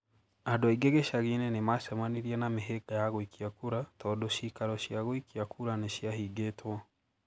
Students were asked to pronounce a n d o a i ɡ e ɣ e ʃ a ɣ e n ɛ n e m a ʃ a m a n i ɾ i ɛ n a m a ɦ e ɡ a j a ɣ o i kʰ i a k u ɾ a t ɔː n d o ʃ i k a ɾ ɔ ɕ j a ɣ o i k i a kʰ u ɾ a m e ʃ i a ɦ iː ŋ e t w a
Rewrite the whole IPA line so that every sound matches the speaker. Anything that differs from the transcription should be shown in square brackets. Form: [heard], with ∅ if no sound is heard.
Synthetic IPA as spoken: a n d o a i ɡ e ɣ e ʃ a ɣ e n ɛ n e m a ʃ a m a n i ɾ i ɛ n a m [e] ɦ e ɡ a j a ɣ o i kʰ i a k u ɾ a t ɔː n d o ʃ i k a ɾ ɔ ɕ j a ɣ o i k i a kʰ u ɾ a [n] e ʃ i a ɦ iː [ɡ] e t w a